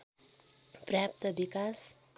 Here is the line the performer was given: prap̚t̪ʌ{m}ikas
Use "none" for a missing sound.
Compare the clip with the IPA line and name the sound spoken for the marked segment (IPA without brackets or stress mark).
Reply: b